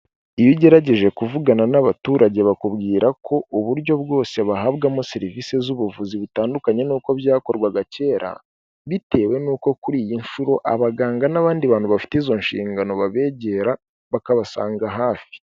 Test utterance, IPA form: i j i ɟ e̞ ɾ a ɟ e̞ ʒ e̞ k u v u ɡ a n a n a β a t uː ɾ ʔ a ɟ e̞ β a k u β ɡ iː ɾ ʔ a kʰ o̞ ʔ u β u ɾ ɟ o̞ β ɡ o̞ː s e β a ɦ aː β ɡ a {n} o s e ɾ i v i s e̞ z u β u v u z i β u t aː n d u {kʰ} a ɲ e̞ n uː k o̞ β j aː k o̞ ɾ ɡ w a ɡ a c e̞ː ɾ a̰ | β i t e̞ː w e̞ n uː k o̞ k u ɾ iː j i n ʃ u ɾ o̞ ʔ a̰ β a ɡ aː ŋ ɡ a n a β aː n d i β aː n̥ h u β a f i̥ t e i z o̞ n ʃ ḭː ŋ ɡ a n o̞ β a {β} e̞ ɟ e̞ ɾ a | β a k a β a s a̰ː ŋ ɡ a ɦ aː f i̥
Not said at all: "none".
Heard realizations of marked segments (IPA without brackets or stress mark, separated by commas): m, k, β